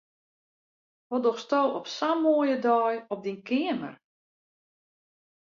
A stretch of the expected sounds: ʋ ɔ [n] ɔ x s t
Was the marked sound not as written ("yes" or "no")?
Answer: yes